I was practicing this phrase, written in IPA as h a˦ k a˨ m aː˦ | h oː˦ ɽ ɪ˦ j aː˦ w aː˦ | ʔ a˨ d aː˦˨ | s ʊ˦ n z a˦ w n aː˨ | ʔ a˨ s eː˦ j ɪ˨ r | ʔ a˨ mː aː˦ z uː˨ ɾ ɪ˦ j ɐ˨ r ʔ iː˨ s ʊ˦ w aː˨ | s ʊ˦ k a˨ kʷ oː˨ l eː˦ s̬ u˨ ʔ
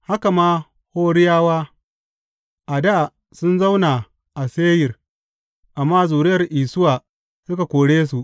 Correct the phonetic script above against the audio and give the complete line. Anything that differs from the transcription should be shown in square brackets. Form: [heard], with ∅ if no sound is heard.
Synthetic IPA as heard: h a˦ k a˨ m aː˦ | h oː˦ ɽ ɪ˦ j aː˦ w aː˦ | ʔ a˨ d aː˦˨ | s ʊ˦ n z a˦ w n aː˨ | ʔ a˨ s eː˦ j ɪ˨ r | ʔ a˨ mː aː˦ z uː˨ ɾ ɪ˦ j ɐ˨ r ʔ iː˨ s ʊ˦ w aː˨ | s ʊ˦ k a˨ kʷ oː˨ [ɽ] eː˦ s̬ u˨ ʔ